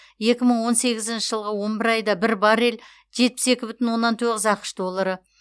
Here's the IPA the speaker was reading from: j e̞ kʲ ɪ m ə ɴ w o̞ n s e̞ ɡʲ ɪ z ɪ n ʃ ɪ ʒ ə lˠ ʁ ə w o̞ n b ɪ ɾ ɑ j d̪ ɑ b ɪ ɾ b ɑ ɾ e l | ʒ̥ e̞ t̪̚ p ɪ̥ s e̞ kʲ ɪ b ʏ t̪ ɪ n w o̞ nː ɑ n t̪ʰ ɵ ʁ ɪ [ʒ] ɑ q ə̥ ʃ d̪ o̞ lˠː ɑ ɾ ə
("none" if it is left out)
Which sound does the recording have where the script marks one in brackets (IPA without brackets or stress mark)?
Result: z